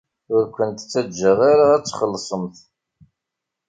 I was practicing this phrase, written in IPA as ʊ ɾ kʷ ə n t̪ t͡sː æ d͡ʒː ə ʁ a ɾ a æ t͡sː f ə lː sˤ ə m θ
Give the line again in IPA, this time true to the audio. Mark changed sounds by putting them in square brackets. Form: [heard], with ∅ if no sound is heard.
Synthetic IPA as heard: ʊ ɾ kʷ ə n t̪ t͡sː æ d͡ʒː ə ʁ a ɾ a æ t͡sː [χ] ə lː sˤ ə m θ